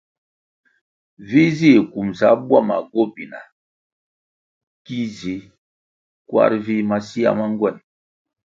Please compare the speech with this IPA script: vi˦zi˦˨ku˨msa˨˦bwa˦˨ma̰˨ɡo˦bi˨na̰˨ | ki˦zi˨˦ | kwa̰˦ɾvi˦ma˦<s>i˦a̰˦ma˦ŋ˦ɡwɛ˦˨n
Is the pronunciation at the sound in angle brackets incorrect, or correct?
correct